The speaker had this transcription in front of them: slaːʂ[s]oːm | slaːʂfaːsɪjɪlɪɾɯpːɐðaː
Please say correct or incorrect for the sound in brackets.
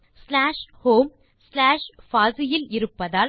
incorrect